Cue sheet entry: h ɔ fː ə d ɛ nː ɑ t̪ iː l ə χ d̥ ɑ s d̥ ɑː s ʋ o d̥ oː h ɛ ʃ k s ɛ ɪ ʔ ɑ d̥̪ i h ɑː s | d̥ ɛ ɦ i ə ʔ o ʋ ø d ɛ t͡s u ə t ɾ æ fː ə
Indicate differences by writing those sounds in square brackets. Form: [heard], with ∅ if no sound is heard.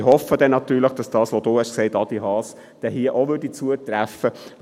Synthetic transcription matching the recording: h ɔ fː ə d ɛ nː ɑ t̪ [yː] l ə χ d̥ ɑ s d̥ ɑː s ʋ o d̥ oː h ɛ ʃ k s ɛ ɪ [t] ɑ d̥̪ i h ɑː s | d̥ ɛ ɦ i ə ʔ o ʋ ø d [i] t͡s u ə t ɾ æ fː ə